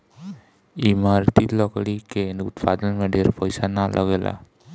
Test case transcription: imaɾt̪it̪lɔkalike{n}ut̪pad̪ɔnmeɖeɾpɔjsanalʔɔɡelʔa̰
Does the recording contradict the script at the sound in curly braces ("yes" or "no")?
no